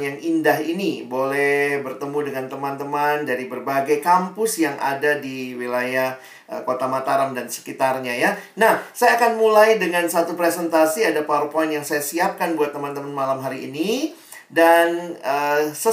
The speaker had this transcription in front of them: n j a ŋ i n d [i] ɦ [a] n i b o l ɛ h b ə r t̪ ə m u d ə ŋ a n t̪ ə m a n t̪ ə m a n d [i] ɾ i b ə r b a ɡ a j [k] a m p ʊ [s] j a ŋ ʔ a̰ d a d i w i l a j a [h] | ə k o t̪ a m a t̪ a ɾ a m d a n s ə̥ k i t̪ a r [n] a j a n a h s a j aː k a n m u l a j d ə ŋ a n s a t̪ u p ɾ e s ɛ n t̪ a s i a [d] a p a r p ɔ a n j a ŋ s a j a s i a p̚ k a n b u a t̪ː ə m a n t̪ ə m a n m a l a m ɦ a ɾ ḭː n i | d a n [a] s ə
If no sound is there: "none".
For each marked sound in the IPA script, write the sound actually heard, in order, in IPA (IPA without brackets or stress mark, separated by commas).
a, i, a, k, s, h, ɲ, d, ə